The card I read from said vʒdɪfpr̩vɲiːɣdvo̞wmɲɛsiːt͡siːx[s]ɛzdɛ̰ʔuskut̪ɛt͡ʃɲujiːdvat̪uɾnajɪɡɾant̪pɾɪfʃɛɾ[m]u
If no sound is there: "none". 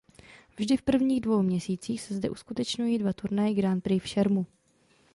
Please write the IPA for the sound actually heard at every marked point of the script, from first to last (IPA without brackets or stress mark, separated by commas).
s, m